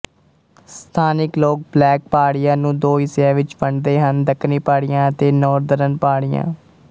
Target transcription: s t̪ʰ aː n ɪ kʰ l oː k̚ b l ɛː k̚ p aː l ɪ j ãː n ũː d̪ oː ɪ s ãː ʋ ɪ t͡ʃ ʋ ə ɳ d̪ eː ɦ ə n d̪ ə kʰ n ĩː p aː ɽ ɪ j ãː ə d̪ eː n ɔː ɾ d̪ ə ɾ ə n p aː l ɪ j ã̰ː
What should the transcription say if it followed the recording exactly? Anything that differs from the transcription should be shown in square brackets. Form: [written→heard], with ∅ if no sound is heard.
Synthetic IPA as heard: s t̪ʰ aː n ɪ [kʰ→k] l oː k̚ b l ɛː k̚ p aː [l→ɽ] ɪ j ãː n ũː d̪ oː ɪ s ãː ʋ ɪ t͡ʃ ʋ ə ɳ d̪ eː ɦ ə n d̪ ə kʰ n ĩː p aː ɽ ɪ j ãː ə [d̪→t̪] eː n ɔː ɾ d̪ ə ɾ ə n p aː [l→ɽ] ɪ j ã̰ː